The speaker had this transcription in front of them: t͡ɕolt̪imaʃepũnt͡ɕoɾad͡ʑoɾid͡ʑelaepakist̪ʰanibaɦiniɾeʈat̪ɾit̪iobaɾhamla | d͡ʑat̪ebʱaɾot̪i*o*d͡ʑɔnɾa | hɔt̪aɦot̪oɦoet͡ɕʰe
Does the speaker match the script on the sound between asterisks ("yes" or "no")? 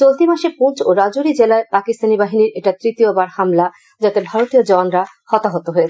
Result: yes